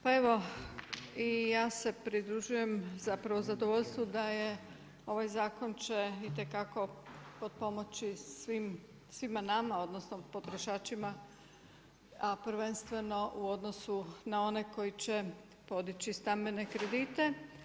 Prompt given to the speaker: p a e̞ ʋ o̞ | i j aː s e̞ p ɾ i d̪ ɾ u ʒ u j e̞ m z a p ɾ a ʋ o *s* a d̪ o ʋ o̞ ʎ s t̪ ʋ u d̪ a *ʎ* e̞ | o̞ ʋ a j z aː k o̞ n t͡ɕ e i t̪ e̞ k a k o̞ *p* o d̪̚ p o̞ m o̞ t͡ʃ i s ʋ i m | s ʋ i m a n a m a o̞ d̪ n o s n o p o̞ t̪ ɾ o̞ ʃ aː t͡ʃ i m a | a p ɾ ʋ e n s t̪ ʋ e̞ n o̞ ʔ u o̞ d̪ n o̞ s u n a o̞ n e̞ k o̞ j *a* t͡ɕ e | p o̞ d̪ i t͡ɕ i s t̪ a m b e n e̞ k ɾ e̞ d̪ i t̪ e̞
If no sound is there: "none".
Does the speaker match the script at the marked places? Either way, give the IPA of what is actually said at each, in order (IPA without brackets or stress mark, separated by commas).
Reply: z, j, p, i